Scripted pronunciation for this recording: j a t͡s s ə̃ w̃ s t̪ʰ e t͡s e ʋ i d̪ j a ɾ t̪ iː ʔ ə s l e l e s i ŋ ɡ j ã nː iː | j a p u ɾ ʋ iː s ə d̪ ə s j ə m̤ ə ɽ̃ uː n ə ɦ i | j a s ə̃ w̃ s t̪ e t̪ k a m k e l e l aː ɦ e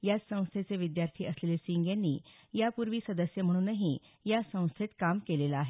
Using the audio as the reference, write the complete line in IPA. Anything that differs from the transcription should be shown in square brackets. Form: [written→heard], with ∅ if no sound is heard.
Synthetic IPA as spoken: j a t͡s s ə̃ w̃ s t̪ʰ e t͡s e ʋ i d̪ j a ɾ [t̪→t̪ʰ] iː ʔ ə s l e l e s i ŋ ɡ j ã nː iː | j a p u ɾ ʋ iː s ə d̪ ə s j ə m̤ ə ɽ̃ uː n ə ɦ i | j a s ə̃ w̃ s [t̪→t̪ʰ] e t̪ k a m k e l e l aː ɦ e